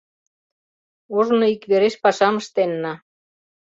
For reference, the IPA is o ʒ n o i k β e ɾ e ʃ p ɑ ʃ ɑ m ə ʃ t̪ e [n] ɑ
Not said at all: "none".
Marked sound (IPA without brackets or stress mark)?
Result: nː